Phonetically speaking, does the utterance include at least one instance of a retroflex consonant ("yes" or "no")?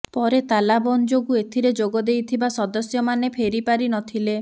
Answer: no